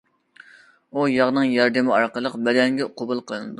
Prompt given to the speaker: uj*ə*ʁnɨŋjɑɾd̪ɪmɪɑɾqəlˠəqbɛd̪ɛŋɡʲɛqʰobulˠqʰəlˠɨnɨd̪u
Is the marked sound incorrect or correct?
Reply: incorrect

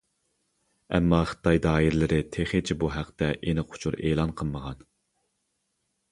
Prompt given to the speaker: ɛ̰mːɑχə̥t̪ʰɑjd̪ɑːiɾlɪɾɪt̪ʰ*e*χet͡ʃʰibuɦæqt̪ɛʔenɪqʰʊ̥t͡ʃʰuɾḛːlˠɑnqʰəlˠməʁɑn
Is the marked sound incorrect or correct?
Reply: correct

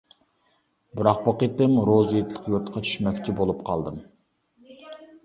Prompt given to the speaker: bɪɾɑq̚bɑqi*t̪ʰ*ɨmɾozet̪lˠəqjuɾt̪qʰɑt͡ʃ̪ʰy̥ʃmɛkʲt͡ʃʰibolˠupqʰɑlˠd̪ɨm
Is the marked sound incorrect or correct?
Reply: incorrect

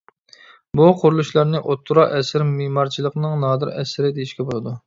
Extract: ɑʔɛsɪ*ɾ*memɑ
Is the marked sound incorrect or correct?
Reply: correct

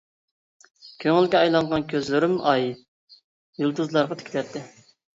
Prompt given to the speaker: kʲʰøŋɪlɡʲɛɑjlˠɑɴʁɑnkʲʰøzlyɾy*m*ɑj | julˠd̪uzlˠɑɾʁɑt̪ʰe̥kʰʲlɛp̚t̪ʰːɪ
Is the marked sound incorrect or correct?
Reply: correct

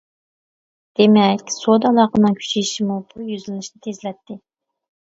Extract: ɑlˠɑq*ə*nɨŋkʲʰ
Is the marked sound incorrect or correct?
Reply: correct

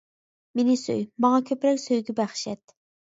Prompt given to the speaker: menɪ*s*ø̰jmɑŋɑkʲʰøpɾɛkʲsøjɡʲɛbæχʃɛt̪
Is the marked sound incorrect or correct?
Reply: correct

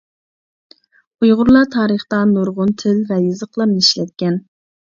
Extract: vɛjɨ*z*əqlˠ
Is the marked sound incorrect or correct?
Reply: correct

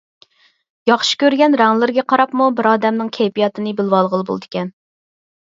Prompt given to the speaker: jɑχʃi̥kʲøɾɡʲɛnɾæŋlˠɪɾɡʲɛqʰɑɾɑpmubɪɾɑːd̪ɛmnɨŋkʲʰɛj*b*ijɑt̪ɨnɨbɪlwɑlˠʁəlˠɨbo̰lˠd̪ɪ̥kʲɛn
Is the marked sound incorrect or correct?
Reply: incorrect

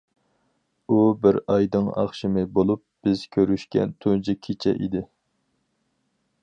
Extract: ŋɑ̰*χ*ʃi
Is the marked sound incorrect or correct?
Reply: correct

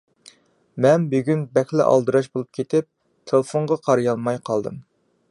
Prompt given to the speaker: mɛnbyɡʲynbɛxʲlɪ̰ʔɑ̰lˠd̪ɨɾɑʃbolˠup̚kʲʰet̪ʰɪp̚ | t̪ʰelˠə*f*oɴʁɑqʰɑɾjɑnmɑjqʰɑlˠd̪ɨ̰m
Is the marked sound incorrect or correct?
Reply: correct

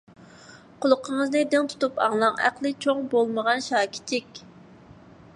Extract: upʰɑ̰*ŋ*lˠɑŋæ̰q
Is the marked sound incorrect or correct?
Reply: correct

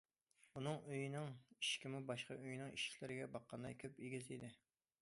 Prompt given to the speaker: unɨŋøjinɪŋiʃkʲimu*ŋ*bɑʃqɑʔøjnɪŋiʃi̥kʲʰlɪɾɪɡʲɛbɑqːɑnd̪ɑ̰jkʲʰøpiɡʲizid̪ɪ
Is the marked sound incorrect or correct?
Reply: incorrect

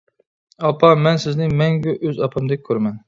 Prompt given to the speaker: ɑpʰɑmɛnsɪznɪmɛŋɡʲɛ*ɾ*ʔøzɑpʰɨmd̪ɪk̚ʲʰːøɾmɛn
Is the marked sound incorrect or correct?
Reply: incorrect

